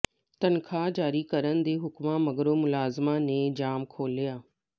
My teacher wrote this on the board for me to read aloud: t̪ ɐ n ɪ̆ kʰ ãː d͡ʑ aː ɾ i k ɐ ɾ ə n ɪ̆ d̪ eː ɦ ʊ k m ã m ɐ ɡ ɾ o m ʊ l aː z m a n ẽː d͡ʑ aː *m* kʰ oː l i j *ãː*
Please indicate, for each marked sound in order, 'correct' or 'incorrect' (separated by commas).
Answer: correct, incorrect